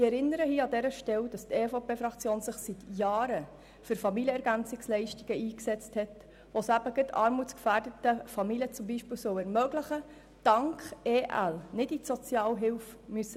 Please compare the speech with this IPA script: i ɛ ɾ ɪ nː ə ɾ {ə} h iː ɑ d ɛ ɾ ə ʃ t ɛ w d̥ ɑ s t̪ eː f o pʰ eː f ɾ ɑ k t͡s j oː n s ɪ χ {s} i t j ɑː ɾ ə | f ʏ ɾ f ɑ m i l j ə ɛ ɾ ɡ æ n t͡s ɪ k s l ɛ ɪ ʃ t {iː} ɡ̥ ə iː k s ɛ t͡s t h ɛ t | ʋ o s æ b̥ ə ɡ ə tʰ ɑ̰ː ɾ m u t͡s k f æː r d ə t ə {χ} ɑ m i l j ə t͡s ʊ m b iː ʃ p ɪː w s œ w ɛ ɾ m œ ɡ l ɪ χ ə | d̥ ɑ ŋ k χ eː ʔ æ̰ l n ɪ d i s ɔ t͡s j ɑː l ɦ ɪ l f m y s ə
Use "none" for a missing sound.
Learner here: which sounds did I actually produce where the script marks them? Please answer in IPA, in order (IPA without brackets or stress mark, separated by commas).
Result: ə, s, i, f